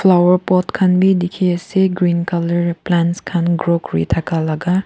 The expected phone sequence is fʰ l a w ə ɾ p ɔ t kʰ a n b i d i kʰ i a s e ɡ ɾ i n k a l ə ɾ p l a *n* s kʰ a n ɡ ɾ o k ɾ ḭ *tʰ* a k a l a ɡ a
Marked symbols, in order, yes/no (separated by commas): yes, yes